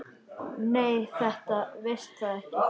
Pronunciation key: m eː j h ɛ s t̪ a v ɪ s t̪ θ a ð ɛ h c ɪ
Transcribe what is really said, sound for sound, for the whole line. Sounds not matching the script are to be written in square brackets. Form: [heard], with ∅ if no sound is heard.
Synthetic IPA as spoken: [n] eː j [θ] ɛ [h] t̪ a v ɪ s t̪ θ a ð ɛ h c ɪ